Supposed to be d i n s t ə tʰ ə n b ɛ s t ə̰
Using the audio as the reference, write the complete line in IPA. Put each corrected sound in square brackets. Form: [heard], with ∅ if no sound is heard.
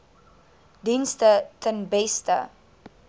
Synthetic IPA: d i n s t ə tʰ ə n b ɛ s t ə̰